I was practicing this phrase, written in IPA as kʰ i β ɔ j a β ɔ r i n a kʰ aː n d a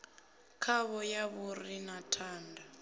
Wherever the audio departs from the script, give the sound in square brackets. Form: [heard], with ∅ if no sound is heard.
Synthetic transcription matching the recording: kʰ [a] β ɔ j a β [u] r i n a [tʰ] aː n d a